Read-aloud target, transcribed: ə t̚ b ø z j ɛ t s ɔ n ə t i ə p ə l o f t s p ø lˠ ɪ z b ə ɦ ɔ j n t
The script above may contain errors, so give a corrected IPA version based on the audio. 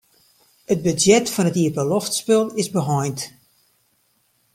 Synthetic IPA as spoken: ə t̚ b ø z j ɛ t f ɔ n ə t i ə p ə l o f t s p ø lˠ ɪ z b ə ɦ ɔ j n t